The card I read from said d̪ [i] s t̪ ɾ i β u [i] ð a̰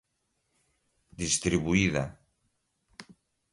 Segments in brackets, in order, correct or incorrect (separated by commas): correct, correct